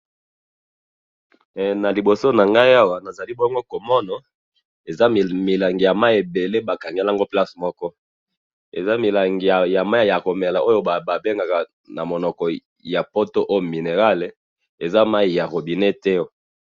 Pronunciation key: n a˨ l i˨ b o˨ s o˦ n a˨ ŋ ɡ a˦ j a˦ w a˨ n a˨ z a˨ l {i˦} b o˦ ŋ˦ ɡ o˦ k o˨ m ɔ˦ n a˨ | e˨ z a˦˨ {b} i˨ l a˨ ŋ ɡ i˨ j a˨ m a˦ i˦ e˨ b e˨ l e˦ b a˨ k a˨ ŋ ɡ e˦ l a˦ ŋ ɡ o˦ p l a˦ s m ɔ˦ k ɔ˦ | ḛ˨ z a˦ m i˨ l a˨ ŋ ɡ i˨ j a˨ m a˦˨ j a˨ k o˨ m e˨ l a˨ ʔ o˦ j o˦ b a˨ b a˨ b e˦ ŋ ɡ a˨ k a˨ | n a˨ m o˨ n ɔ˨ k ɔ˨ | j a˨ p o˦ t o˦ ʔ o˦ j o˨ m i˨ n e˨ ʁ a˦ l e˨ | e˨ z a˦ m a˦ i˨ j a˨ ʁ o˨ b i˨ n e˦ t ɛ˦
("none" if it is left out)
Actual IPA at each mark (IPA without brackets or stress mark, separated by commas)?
i˦, m